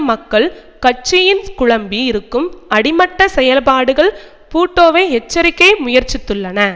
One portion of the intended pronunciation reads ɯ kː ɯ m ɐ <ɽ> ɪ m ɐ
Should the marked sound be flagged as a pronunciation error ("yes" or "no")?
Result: no